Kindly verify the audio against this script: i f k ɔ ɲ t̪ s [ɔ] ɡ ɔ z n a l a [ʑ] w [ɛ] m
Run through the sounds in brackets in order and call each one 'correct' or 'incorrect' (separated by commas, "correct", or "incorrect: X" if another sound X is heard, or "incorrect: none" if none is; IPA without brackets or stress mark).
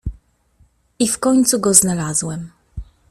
incorrect: u, incorrect: z, correct